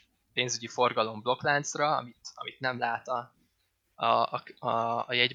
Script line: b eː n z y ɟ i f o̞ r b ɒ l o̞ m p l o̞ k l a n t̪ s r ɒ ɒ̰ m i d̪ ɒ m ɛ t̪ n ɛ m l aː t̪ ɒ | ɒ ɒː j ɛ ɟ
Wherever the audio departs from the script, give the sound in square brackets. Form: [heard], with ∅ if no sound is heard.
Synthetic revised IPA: [p] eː n z y ɟ i f o̞ r [ɡ] ɒ l o̞ m [b] l o̞ k l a n t̪ s r ɒ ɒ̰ m i [t̪] ɒ m [i] t̪ n ɛ m l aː t̪ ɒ | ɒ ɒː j ɛ ɟ